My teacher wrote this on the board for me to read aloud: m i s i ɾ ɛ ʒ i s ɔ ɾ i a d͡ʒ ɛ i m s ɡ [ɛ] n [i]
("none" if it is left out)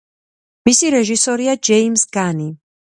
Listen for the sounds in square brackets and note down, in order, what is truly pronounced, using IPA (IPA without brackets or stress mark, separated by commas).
a, i